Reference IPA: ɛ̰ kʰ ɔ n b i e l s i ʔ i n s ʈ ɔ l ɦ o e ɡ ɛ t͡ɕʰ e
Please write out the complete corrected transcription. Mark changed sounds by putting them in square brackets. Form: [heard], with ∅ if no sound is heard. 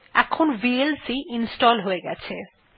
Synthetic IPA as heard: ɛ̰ kʰ [o] n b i e l s i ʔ i n s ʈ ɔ l ɦ o e ɡ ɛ t͡ɕʰ e

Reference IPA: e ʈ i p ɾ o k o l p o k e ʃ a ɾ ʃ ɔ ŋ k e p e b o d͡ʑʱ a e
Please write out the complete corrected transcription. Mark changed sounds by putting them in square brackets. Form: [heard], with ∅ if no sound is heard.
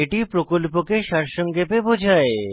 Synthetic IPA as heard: e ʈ i p ɾ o k o l p o k e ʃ a ɾ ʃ ɔ ŋ [ɡ] e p e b o d͡ʑʱ a e

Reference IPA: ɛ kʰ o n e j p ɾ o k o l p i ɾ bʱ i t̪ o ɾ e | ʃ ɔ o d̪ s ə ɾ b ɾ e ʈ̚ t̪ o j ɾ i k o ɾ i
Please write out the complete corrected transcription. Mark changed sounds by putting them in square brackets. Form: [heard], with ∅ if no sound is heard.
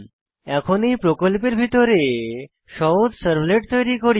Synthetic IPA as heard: ɛ kʰ o n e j p ɾ o k o l p [e] ɾ bʱ i t̪ o ɾ e | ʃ ɔ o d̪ s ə ɾ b [l] e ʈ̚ t̪ o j ɾ i k o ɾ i

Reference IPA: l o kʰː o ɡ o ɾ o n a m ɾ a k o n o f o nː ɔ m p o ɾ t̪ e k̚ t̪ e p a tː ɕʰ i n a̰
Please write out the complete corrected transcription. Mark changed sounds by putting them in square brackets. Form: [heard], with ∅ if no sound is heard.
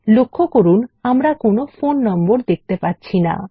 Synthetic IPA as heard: l o kʰː o [k] o ɾ [u] n a m ɾ a k o n o f o nː ɔ m [b] o ɾ [d̪] e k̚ t̪ e p a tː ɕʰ i n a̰

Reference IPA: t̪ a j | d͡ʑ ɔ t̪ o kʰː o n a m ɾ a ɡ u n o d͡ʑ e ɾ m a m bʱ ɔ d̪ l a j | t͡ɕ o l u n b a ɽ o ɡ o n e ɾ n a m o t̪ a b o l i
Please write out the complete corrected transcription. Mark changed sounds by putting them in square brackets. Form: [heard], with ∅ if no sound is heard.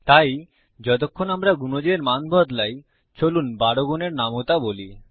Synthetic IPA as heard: t̪ a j | d͡ʑ ɔ t̪ o kʰː o n a m ɾ a ɡ u n o d͡ʑ e ɾ m a [n] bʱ ɔ d̪ l a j | t͡ɕ o l u n b a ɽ o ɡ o n e ɾ n a m o t̪ a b o l i

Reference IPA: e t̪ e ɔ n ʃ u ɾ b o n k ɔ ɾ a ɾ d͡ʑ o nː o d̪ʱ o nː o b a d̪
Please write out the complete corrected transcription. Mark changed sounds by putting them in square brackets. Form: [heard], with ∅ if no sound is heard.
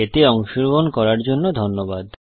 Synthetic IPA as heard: e t̪ e ɔ [ŋ] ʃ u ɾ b o n k ɔ ɾ a ɾ d͡ʑ o nː o d̪ʱ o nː o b a d̪

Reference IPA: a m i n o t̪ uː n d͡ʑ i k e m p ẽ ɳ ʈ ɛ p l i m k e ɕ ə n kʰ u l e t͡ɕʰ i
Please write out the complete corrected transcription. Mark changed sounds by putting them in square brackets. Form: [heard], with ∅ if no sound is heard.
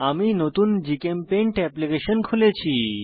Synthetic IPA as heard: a m i n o t̪ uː n d͡ʑ i k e m p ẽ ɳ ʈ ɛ p l i [∅] k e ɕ ə n kʰ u l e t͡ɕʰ i

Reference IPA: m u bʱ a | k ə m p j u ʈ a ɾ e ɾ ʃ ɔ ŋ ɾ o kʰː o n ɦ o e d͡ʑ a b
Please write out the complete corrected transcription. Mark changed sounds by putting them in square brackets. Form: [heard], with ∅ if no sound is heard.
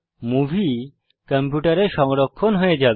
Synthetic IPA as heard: m u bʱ [i] | k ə m p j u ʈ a ɾ e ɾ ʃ ɔ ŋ ɾ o kʰː o n ɦ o e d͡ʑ a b

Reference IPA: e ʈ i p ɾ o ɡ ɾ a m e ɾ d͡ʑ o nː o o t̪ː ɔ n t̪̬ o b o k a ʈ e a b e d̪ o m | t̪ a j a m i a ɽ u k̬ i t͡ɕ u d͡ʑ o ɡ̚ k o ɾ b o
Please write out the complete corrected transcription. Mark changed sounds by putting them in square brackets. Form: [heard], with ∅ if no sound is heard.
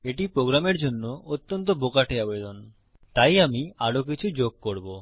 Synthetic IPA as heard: e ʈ i p ɾ o ɡ ɾ a m e ɾ d͡ʑ o nː o o t̪ː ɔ n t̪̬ o b o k a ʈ e a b e d̪ o [n] | t̪ a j a m i a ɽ [o] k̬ i [t͡ɕʰ] u d͡ʑ o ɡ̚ k o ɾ b o

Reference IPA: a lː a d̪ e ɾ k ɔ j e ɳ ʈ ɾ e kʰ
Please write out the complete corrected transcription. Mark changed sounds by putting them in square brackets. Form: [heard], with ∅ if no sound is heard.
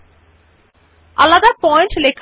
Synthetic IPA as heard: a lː a d̪ [a] ɾ [p] ɔ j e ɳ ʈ [l] e kʰ

